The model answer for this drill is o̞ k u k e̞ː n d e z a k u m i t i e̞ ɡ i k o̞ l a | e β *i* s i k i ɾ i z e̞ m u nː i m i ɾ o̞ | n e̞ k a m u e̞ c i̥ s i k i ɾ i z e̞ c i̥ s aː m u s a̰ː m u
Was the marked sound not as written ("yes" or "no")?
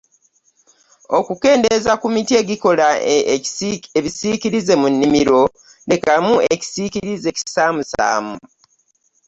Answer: no